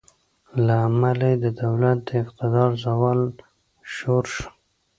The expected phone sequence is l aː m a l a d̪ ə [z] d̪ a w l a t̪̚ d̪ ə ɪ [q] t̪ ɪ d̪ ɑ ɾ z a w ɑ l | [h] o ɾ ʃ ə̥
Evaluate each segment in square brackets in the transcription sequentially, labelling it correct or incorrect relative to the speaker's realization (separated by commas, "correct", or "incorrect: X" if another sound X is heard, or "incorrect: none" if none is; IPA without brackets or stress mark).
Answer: incorrect: none, correct, incorrect: ʃ